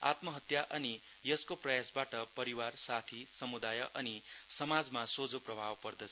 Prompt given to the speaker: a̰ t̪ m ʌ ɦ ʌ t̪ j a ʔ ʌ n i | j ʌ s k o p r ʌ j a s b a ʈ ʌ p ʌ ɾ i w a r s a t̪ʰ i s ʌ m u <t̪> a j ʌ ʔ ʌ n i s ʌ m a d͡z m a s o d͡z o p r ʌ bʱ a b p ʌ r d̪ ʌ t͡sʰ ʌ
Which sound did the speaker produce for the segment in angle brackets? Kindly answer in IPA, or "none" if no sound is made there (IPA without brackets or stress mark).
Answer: d̪